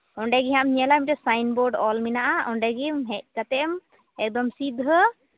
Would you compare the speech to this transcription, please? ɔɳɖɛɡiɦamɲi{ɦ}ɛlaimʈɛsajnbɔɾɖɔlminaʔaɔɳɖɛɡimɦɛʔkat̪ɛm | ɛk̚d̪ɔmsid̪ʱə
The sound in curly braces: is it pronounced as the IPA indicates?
no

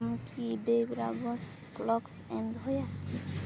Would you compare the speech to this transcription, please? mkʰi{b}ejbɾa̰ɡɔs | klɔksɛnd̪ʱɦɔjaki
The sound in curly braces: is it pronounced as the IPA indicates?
yes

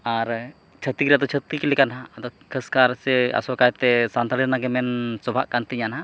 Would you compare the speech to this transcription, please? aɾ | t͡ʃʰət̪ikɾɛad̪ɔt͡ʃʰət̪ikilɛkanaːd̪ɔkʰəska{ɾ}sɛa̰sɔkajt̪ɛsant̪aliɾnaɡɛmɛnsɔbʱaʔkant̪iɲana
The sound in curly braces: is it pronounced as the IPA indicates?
yes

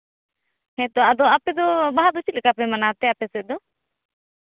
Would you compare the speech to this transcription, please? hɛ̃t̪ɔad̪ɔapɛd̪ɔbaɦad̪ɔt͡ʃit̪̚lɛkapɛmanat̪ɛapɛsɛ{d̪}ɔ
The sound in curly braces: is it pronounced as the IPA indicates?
yes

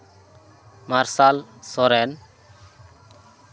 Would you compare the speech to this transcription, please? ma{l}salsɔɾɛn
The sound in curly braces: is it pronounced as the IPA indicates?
no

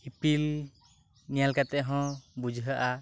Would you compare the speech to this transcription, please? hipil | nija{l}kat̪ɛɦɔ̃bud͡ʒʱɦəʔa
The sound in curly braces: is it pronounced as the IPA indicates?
yes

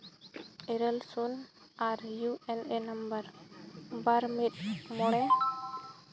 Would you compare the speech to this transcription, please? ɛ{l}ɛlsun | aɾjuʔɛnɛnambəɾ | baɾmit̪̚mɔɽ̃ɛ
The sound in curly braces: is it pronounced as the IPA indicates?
no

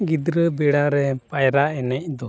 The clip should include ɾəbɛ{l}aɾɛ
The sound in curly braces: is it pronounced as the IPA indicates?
no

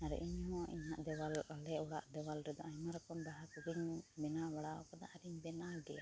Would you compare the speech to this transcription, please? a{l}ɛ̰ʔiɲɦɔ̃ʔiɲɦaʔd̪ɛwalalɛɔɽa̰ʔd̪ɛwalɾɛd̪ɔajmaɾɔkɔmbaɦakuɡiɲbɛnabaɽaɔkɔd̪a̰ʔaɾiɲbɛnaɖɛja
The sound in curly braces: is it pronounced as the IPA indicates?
no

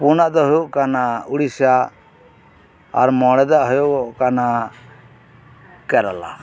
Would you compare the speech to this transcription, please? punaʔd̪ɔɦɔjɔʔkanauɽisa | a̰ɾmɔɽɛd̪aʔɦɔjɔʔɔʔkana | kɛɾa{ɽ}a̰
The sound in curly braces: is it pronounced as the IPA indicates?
no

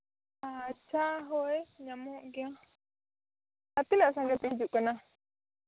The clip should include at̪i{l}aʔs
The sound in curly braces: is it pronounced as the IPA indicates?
yes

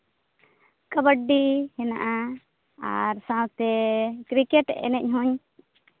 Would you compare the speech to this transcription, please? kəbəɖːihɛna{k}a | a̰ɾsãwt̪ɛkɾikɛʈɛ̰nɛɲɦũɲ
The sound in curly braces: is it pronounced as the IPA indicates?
no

